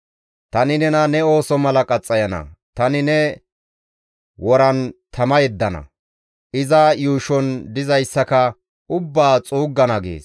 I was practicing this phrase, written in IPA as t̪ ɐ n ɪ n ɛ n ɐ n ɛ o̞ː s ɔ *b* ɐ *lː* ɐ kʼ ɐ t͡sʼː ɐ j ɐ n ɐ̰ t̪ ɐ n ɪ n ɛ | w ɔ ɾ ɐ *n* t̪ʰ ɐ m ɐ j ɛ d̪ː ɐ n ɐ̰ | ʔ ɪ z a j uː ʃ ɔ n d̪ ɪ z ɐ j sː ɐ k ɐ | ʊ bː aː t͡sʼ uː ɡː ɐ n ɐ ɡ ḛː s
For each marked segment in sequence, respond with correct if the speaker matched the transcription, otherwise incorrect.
incorrect, incorrect, correct

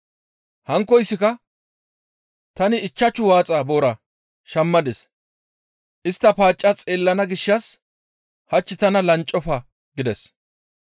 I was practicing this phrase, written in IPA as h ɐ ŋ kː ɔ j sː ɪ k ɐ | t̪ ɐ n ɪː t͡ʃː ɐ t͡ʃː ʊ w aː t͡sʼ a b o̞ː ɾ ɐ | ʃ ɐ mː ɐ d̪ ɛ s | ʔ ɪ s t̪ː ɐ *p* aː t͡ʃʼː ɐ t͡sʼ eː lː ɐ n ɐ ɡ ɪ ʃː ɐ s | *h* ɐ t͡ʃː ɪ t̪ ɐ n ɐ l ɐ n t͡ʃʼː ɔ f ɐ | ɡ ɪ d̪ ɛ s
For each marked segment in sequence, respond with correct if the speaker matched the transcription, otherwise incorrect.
correct, correct

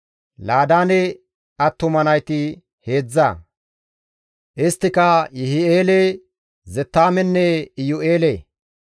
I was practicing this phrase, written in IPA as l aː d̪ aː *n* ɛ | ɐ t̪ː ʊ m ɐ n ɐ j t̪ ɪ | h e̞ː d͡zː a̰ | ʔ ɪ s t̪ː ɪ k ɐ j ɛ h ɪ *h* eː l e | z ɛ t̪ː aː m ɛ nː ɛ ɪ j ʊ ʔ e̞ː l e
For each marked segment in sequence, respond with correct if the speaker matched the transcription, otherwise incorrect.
correct, incorrect

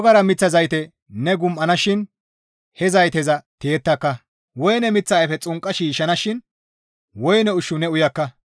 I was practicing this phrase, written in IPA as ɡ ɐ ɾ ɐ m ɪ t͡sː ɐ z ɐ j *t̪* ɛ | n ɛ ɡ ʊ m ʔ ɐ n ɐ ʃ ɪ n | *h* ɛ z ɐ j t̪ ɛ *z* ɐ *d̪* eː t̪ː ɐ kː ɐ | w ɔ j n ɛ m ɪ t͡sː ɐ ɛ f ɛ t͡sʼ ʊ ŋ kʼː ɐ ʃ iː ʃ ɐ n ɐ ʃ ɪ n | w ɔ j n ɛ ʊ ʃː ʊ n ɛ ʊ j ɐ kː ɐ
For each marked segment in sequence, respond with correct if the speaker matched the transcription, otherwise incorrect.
correct, correct, correct, incorrect

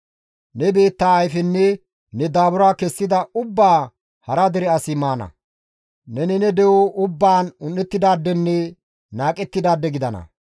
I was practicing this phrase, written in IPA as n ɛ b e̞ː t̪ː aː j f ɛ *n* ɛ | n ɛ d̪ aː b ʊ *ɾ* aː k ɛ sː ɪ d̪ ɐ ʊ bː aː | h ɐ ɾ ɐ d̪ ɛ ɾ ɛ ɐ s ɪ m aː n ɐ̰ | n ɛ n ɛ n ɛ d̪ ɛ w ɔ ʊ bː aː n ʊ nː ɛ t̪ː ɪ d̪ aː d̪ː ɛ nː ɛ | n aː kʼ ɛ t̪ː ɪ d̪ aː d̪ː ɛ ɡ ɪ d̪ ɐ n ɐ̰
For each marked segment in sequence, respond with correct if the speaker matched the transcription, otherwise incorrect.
incorrect, correct

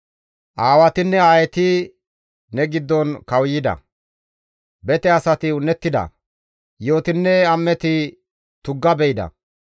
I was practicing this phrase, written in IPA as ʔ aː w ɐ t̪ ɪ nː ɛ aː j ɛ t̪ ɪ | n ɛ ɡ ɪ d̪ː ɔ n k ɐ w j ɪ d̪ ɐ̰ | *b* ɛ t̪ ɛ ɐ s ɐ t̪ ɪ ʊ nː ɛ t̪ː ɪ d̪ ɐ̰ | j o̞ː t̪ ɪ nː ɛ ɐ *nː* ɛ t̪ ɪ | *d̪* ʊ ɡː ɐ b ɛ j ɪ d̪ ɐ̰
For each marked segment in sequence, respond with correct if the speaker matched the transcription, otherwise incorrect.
correct, incorrect, incorrect

